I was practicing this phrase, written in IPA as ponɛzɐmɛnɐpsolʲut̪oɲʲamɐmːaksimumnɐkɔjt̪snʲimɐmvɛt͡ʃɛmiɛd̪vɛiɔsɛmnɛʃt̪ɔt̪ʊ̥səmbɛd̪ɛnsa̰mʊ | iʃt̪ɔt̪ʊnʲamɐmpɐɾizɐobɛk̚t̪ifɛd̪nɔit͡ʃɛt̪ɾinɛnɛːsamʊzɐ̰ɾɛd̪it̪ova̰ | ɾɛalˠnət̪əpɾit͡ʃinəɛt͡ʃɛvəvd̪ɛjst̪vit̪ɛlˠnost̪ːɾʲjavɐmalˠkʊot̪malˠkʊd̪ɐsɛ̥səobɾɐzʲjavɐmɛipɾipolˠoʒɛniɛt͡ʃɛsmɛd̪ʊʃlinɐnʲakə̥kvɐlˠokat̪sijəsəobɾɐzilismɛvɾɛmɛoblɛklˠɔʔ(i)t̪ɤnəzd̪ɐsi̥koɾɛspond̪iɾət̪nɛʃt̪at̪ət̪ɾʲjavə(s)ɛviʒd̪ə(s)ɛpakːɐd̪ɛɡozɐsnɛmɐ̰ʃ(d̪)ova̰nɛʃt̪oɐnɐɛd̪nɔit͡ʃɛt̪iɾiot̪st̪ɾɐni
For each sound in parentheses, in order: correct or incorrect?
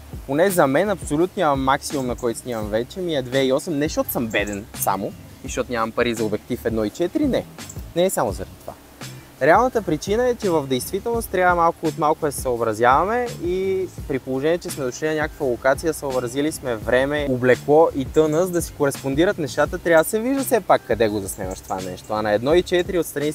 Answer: correct, correct, correct, incorrect

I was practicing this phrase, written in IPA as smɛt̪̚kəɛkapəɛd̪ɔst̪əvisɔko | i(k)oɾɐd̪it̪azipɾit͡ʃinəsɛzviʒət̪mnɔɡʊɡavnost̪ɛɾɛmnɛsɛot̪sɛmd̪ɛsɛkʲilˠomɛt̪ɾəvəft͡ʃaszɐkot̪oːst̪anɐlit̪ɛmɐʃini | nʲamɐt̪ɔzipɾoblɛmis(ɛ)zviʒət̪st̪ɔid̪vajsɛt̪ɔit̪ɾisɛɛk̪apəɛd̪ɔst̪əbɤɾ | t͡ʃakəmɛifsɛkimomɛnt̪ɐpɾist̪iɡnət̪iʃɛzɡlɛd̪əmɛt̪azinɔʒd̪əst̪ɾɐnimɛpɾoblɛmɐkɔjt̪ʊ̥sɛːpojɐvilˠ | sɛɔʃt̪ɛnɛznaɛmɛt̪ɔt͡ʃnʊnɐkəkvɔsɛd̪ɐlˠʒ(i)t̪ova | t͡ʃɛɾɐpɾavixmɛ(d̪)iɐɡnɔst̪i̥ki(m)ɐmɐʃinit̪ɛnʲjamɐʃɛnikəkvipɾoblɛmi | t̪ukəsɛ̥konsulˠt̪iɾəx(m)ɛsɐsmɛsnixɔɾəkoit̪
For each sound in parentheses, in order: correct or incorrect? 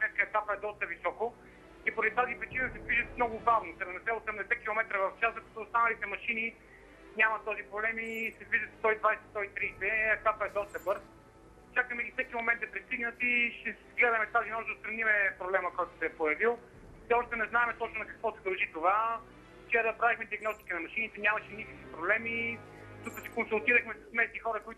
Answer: incorrect, correct, correct, correct, incorrect, correct

